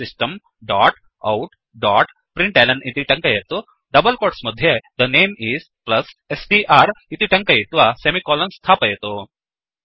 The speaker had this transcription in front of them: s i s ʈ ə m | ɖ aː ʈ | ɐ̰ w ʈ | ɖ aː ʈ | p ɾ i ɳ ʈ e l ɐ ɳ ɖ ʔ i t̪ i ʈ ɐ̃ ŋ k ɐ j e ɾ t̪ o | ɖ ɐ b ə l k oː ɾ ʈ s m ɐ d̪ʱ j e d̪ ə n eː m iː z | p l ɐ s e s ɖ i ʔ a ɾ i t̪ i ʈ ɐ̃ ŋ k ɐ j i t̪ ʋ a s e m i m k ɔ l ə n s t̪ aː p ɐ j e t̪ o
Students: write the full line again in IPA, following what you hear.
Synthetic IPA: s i s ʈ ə m | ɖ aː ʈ | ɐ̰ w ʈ | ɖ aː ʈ | p ɾ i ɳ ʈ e l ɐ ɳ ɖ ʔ i t̪ i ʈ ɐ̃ ŋ k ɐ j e t̪ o | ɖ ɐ b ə l k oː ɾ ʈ s m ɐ d̪ʱ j e d̪ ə n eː m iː z | p l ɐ s e s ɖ i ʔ a ɾ i t̪ i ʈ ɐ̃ ŋ k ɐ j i t̪ ʋ a s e m i k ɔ l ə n s t̪ʰ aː p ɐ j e t̪ o

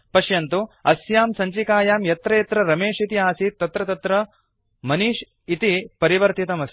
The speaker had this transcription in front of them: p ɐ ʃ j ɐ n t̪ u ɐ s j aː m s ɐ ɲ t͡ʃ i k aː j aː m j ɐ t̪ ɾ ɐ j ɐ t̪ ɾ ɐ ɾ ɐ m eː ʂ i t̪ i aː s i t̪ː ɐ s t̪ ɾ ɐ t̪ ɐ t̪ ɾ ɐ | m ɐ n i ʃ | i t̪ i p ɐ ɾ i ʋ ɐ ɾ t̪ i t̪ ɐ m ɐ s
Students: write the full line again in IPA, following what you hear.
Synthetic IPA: p ɐ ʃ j ɐ n t̪ u ɐ s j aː m s ɐ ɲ t͡ʃ i k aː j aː m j ɐ t̪ ɾ ɐ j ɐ t̪ ɾ ɐ ɾ ɐ m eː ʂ i t̪ i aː s i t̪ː ɐ t̪ ɾ ɐ t̪ ɐ t̪ ɾ ɐ | m ɐ n i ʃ | i t̪ i p ɐ ɾ i ʋ ɐ ɾ t̪ i t̪ ɐ m ɐ s

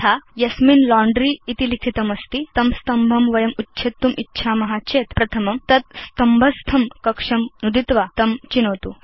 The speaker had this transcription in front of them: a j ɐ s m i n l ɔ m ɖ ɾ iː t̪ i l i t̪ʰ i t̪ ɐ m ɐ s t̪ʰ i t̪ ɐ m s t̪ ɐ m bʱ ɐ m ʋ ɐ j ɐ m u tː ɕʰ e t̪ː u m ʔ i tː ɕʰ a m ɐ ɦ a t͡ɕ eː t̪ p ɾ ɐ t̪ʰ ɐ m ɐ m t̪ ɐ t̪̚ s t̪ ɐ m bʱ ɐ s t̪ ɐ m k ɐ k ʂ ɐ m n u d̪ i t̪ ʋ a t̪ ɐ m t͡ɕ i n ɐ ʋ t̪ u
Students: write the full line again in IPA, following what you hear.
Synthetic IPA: a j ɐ s m i n l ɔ ɳ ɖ ɾ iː t̪ i l i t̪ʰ i t̪ ɐ m ɐ s t̪ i t̪ ɐ m s t̪ ɐ m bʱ ɐ m ʋ ɐ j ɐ m u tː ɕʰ e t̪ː u m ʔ i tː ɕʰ a m ɐ ɦ a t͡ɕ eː t̪ p ɾ ɐ t̪ʰ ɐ m ɐ m t̪ ɐ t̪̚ s t̪ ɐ m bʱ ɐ s t̪ʰ ɐ m k ɐ k ʂ ɐ m n u d̪ i t̪ ʋ a t̪ ɐ m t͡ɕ i n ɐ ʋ t̪ u

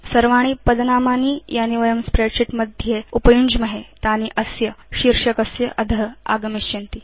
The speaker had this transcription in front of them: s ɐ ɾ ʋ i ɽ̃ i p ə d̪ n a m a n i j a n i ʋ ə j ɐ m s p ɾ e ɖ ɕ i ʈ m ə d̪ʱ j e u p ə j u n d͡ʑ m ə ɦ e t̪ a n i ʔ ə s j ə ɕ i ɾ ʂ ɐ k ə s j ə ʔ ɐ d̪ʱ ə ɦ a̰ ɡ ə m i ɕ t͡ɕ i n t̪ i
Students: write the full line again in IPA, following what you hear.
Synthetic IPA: s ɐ ɾ ʋ a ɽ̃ i p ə d̪ n a m a n i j a n i ʋ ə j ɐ m s p ɾ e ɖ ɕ i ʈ m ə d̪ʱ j e u p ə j u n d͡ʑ m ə ɦ e t̪ a n i ʔ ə s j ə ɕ i ɾ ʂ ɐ k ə s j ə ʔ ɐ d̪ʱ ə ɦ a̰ ɡ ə m i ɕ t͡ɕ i n t̪ i

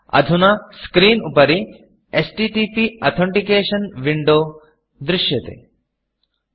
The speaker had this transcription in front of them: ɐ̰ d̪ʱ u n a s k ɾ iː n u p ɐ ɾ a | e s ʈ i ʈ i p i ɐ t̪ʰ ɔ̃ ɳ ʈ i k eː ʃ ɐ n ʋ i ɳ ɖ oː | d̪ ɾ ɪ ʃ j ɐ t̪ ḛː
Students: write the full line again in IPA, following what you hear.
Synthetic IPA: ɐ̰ d̪ʱ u n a s k ɾ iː n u p ɐ ɾ i | e s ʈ i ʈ i p i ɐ t̪ʰ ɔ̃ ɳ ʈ i k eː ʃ ɐ n ʋ i ɳ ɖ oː | d̪ ɾ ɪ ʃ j ɐ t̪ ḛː

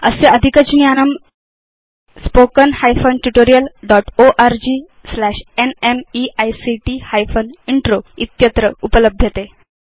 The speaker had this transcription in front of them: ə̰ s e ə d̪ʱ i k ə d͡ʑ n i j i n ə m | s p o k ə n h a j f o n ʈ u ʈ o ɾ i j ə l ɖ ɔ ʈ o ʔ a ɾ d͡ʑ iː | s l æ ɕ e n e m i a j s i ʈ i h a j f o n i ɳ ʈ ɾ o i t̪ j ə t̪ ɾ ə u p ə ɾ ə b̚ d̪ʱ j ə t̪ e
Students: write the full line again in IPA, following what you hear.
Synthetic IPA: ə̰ s e ə d̪ʱ i k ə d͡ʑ n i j a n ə m | s p o k ə n h a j f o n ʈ u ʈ o ɾ i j ə l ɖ ɔ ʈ o ʔ a ɾ d͡ʑ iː | s l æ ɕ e n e m i a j s i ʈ i h a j f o n i ɳ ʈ ɾ o i t̪ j ə t̪ ɾ ə u p ə l ə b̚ d̪ʱ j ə t̪ e

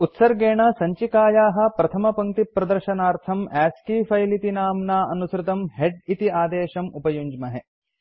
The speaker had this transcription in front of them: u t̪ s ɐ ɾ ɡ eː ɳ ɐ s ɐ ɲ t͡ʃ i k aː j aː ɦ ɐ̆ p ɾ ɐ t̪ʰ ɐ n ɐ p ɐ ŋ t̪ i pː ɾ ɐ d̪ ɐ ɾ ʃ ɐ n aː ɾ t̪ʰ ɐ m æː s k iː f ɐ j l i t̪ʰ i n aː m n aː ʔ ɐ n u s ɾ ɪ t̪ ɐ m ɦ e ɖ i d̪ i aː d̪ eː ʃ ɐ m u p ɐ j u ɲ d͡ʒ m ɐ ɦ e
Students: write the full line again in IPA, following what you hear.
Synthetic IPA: u t̪ s ɐ ɾ ɡ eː ɳ ɐ s ɐ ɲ t͡ʃ i k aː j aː ɦ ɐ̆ p ɾ ɐ t̪ʰ ɐ m ɐ p ɐ ŋ t̪ i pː ɾ ɐ d̪ ɐ ɾ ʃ ɐ n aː ɾ t̪ʰ ɐ m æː s k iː f ɐ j l i t̪ i n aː m n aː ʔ ɐ n u s ɾ ɪ t̪ ɐ m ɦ e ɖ i t̪ i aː d̪ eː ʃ ɐ m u p ɐ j u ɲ d͡ʒ m ɐ ɦ e

